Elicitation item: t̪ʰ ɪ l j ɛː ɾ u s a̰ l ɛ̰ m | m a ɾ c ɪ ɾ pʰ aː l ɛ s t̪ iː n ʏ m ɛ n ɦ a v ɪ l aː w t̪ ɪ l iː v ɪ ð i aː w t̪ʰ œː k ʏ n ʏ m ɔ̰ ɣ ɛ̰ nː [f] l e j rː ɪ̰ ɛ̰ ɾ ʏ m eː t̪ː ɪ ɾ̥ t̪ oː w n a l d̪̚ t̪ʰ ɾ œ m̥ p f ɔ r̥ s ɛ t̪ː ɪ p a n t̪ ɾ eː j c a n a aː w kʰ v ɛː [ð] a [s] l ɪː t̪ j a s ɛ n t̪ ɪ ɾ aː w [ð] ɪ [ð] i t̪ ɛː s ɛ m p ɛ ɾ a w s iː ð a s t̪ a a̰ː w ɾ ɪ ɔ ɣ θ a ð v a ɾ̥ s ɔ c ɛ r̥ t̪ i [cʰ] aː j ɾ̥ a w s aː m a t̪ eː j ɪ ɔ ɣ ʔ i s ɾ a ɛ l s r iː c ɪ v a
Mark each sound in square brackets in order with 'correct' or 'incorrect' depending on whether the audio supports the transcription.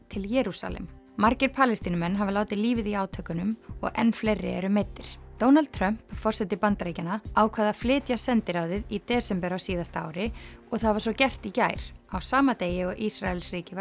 correct, correct, incorrect: f, correct, correct, incorrect: c

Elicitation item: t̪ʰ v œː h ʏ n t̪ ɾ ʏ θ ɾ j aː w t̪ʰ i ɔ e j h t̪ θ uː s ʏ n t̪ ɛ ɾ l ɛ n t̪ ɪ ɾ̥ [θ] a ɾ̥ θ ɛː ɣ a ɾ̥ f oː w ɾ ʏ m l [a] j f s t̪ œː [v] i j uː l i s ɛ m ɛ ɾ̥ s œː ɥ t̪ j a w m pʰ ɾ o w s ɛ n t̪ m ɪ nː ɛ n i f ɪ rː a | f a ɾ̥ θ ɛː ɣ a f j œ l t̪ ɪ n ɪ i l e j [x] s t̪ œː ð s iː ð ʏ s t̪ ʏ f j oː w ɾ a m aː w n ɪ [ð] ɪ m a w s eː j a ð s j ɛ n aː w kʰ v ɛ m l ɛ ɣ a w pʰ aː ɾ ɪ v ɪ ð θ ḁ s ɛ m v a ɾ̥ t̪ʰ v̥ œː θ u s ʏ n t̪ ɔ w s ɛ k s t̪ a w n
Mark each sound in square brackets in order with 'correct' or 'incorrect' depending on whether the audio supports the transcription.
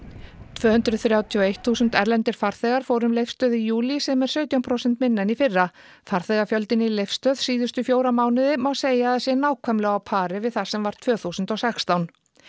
incorrect: f, incorrect: e, incorrect: ð, incorrect: f, correct

